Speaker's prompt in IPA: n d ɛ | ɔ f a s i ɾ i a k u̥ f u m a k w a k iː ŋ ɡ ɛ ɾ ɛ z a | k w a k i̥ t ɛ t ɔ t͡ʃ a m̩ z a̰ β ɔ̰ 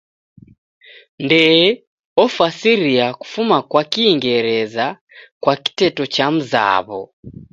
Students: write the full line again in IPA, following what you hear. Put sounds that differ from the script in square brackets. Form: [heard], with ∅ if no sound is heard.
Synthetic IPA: n d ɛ | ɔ f a s i ɾ i a k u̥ f u m a k w a k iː ŋ ɡ ɛ ɾ ɛ z a | k w a k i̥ t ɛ t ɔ t͡ʃ a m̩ z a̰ β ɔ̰

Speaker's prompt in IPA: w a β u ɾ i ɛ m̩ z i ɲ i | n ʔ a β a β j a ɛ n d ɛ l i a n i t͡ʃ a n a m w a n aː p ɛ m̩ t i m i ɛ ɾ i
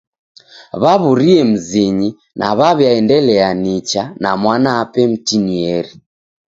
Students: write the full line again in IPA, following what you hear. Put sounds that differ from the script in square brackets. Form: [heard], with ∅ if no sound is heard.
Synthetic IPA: [β] a β u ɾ i ɛ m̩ z i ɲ i | n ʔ a β a β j a ɛ n d ɛ l [ɛ] a n i t͡ʃ a n a m w a n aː p ɛ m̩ t i [n] i ɛ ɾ i

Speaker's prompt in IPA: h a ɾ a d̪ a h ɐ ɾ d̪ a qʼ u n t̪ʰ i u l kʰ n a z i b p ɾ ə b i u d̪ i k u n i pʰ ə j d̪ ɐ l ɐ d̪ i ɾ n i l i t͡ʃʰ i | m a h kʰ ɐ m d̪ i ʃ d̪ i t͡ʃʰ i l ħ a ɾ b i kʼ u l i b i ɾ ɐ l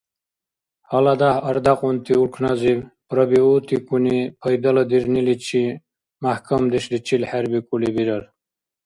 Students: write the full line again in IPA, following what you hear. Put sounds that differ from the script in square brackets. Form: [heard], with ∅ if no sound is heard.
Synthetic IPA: h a [l] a d̪ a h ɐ ɾ d̪ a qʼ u n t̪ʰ i u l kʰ n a z i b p ɾ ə b i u [t̪] i k u n i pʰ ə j d̪ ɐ l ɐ d̪ i ɾ n i l i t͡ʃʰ i | m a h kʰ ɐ m d̪ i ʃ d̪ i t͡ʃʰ i l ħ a ɾ b i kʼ u l i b i ɾ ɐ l

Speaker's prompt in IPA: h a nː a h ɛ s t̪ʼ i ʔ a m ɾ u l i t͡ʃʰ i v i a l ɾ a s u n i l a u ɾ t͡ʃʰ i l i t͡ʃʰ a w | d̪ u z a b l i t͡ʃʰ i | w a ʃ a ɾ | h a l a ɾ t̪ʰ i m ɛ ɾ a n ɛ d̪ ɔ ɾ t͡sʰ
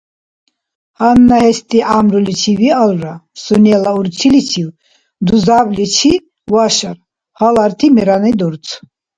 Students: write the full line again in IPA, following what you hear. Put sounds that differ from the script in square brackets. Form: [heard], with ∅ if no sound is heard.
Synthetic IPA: h a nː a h ɛ s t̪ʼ i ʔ a m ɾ u l i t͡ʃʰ i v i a l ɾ a s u n [ɛ] l a u ɾ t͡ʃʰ i l i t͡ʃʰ [i] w | d̪ u z a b l i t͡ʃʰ i | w a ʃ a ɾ | h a l a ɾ t̪ʰ i m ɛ ɾ a n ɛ d̪ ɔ ɾ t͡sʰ

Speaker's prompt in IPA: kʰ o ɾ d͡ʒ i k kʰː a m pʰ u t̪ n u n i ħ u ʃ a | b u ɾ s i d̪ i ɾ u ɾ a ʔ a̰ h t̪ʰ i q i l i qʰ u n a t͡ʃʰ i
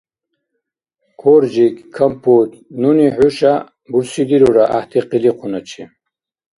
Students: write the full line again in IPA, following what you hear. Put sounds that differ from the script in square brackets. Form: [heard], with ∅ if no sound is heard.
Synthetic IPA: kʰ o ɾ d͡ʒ i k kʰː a m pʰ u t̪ n u n i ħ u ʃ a | b u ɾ s i d̪ i ɾ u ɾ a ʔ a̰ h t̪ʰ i q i l i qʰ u n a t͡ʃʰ i

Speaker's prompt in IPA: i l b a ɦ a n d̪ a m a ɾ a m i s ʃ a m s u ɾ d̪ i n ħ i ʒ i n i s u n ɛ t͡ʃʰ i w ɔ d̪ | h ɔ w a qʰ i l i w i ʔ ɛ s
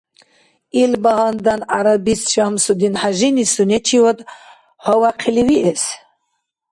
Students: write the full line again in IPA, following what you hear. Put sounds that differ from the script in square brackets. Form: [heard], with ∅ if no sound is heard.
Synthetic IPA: i l b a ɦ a n d̪ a [n] a ɾ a [b] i s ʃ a m s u [∅] d̪ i n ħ [a] ʒ i n i s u n ɛ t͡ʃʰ i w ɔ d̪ | h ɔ w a qʰ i l i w i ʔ ɛ s

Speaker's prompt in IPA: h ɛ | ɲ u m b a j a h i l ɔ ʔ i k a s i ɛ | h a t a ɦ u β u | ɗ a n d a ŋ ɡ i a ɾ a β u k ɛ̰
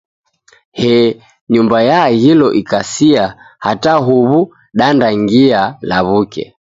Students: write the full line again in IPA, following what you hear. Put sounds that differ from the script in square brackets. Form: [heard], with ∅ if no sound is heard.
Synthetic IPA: h ɛ | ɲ u m b a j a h i l ɔ ʔ i k a s i [a] | h a t a ɦ u β u | ɗ a n d a ŋ ɡ i a [l] a β u k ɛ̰

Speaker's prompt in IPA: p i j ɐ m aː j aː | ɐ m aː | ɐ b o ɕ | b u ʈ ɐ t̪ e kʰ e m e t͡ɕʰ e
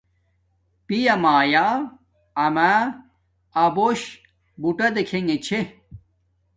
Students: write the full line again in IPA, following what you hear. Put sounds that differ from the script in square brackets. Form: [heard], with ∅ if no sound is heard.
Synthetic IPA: p i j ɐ m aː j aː | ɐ m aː | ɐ b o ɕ | b u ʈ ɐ [d̪] e kʰ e [ŋ] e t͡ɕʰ e

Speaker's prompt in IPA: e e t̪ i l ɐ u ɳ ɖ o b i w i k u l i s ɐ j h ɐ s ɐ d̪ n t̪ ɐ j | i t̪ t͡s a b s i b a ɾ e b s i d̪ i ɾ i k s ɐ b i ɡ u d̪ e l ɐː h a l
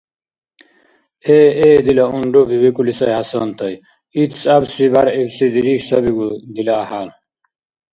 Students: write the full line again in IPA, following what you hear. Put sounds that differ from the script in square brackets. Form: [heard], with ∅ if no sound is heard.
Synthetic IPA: e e [d̪] i l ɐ u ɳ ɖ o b i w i k u l i s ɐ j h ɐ s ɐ [∅] n t̪ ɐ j | i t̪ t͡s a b s i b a ɾ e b s i d̪ i ɾ i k s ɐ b i ɡ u d̪ [i] l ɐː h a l

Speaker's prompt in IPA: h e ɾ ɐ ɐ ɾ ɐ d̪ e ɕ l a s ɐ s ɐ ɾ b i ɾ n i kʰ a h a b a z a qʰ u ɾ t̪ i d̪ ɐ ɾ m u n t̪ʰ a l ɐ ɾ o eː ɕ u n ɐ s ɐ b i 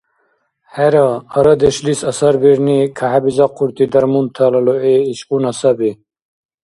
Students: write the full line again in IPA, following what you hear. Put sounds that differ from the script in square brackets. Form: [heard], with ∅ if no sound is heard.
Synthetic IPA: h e ɾ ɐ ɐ ɾ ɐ d̪ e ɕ l [i] s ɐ s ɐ ɾ b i ɾ n i kʰ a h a b [i] z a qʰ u ɾ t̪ i d̪ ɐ ɾ m u n t̪ʰ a l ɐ [l] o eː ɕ u n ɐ s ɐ b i

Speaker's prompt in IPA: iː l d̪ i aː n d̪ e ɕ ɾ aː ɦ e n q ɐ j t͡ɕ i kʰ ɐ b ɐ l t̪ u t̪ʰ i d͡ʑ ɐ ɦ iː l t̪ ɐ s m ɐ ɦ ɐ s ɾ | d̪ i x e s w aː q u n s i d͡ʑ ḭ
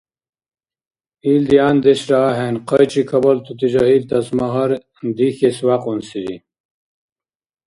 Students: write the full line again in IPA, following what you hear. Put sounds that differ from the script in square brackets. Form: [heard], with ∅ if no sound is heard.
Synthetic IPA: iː l d̪ i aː n d̪ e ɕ ɾ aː ɦ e n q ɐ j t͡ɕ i kʰ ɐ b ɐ l t̪ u [t̪] i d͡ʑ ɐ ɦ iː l t̪ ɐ s m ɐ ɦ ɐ [∅] ɾ | d̪ i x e s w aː q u n s i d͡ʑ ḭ

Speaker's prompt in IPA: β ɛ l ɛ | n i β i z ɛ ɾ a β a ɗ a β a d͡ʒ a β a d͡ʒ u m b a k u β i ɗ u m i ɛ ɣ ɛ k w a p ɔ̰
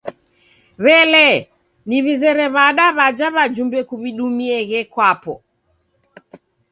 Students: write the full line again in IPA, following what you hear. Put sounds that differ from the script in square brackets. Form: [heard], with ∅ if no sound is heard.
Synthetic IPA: β ɛ l ɛ | n i β i z ɛ ɾ [ɛ] β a ɗ a β a d͡ʒ a β a d͡ʒ u m b [ɛ] k u β i ɗ u m i ɛ ɣ ɛ k w a p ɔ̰

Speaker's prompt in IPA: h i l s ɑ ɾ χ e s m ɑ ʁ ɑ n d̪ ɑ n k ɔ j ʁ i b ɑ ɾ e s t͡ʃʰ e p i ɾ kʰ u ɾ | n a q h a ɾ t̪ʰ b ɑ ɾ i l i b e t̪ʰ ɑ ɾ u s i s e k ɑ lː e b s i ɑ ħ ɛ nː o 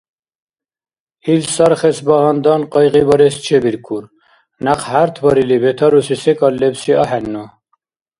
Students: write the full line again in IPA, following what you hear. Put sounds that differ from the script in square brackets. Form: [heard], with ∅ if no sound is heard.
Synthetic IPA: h i l s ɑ ɾ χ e s [b] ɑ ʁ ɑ n d̪ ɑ n [q] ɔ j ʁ i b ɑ ɾ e s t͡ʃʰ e [b] i ɾ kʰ u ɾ | n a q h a ɾ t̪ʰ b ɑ ɾ i l i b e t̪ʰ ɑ ɾ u s i s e k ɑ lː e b s i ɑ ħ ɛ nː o

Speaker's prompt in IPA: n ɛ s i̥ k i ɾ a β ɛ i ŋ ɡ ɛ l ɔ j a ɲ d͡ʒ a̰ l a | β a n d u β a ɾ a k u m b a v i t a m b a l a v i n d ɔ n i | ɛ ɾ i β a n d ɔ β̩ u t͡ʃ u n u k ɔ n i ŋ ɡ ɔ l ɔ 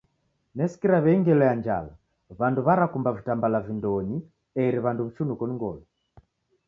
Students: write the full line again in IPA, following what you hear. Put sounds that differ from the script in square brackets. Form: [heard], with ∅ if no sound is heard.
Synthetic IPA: n ɛ s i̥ k i ɾ a β ɛ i ŋ ɡ ɛ l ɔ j a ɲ d͡ʒ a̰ l a | β a n d u β a ɾ a k u m b a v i t a m b a l a v i n d ɔ [ɲ] i | ɛ ɾ i β a n d [u] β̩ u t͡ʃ u n u k ɔ n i ŋ ɡ ɔ l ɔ

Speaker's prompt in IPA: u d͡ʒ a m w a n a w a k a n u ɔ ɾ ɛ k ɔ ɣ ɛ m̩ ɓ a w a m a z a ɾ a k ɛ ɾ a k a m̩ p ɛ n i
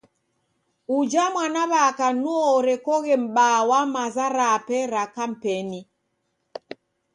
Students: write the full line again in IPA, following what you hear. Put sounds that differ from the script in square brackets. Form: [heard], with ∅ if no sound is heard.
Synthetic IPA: u d͡ʒ a m w a n a [β] a k a n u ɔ ɾ ɛ k ɔ ɣ ɛ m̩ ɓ a w a m a z a ɾ a [p] ɛ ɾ a k a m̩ p ɛ n i

